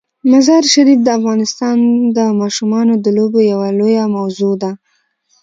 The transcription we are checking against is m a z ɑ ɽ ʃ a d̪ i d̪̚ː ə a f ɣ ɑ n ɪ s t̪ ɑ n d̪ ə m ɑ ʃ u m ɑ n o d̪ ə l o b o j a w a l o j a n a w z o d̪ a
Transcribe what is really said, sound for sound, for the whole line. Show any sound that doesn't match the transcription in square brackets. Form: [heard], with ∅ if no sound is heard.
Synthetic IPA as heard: m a z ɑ [ɾ] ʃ a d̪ i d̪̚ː ə a f ɣ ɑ n ɪ s t̪ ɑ n d̪ ə m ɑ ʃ u m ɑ n o d̪ ə l o b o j a w a l o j a [m] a w z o d̪ a